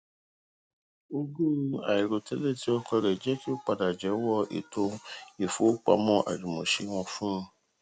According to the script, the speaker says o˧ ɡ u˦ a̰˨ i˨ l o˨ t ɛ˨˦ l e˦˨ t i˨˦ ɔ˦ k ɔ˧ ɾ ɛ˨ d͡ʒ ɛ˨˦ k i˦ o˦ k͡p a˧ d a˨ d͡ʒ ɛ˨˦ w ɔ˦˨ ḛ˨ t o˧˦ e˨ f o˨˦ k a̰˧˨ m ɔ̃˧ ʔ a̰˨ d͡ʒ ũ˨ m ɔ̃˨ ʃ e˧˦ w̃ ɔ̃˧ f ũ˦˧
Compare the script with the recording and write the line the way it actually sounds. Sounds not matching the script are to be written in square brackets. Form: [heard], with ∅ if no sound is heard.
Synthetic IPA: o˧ ɡ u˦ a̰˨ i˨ [ɾ] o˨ t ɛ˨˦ l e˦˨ t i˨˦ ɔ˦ k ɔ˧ ɾ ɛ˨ d͡ʒ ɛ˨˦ k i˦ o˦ k͡p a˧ d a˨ d͡ʒ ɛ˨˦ w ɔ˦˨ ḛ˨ t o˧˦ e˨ f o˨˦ [k͡p] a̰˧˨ m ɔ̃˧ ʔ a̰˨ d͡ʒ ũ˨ m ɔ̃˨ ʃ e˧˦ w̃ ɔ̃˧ f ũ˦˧

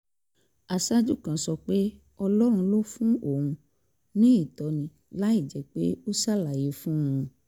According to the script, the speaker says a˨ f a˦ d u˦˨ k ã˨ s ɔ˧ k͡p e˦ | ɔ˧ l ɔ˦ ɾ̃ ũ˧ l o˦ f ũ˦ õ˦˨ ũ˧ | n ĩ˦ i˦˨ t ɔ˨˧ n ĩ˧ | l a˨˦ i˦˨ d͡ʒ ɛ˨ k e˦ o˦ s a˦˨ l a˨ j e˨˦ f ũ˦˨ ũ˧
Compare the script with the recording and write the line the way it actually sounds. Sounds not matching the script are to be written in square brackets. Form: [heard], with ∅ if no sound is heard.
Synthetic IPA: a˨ [s] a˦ [d͡ʒ] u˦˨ k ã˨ s ɔ˧ k͡p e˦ | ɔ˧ l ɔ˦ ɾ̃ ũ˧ l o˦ f ũ˦ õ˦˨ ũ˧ | n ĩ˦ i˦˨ t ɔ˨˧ n ĩ˧ | l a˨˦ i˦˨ d͡ʒ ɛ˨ [k͡p] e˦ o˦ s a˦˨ l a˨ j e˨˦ f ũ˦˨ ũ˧

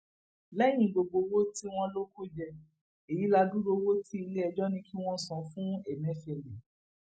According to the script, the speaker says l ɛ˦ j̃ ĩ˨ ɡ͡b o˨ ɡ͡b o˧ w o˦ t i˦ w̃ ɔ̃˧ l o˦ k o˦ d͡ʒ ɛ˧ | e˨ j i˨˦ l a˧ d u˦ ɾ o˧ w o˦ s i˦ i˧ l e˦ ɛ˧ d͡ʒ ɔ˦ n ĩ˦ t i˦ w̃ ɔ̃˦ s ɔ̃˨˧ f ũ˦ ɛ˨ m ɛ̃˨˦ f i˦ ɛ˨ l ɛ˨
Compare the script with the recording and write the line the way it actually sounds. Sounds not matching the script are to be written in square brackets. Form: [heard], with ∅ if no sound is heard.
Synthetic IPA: l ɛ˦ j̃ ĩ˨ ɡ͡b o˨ ɡ͡b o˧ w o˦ t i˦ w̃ ɔ̃˧ l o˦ k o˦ d͡ʒ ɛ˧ | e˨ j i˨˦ l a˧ d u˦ ɾ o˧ w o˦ [t] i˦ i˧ l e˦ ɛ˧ d͡ʒ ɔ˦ n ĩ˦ [k] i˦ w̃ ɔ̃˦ s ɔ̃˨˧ f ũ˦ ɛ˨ m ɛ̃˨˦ f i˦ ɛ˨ l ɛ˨

